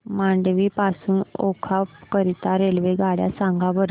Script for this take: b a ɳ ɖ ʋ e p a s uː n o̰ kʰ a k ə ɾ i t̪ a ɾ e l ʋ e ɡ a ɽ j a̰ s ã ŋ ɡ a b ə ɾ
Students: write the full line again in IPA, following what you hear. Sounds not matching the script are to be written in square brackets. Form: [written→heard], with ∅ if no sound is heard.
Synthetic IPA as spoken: [b→m] a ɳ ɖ ʋ [e→i] p a s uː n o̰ kʰ a k ə ɾ i t̪ a ɾ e l ʋ e ɡ a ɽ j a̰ s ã ŋ ɡ a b ə ɾ

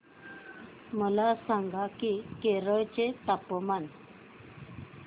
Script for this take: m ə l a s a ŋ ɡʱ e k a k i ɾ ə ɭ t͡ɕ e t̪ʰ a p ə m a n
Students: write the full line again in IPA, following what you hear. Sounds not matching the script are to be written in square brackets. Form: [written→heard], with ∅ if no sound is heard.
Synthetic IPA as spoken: m ə l a s a ŋ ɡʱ [e→a] k [a→i] k [i→e] ɾ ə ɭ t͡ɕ e [t̪ʰ→t̪] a p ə m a n

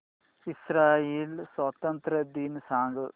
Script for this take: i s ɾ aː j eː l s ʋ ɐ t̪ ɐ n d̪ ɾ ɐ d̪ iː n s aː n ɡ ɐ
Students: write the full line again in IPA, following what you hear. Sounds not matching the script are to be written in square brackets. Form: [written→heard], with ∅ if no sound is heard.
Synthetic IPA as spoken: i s ɾ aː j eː l s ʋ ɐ t̪ ɐ n [d̪→t̪] ɾ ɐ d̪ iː n s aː [n→ŋ] ɡ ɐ

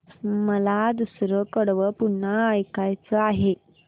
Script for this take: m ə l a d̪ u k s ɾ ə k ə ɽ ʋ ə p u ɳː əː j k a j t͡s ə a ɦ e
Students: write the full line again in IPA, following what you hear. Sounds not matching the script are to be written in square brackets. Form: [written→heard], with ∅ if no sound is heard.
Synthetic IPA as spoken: m ə l a d̪ u [k→∅] s ɾ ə k ə ɽ ʋ ə p u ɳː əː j k a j t͡s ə a ɦ e

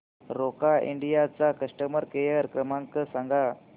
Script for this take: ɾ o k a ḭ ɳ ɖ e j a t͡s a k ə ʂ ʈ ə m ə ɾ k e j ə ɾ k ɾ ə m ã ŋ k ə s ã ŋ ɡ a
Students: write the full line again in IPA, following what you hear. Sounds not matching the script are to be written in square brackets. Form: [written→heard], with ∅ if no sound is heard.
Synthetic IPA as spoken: ɾ o k a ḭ ɳ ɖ [e→i] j a t͡s a k ə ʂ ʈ ə m ə ɾ k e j ə ɾ k ɾ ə m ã ŋ k ə s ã ŋ ɡ a

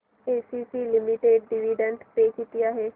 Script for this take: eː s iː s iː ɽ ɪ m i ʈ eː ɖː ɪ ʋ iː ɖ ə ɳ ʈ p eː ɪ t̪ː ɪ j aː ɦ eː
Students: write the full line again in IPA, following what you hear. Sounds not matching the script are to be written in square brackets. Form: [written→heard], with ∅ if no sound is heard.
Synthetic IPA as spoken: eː s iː s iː [ɽ→l] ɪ m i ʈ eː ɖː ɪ ʋ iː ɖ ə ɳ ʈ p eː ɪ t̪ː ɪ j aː ɦ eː

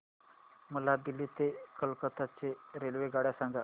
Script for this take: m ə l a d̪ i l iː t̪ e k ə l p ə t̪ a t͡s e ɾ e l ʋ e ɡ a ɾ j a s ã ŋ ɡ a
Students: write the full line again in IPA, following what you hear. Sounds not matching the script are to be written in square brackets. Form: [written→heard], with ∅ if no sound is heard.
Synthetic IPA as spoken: m ə l a d̪ i l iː t̪ e k ə l [p→k] ə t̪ a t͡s e ɾ e l ʋ e ɡ a [ɾ→ɽ] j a s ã ŋ ɡ a

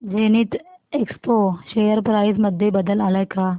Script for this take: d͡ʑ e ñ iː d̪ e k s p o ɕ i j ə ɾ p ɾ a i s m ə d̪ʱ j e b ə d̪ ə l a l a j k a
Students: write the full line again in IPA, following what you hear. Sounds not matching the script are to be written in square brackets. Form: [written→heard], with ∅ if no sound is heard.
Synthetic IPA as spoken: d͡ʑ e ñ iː [d̪→t̪] e k s p o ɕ [i→e] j ə ɾ p ɾ a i s m ə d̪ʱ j e b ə d̪ ə l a l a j k a

